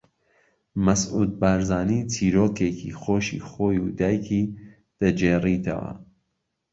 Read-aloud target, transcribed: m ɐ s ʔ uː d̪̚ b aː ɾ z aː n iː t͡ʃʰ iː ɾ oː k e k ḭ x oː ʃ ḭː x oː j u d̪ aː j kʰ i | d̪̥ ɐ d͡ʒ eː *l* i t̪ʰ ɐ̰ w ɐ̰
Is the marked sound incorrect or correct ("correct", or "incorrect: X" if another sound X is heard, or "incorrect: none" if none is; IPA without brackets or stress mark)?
incorrect: r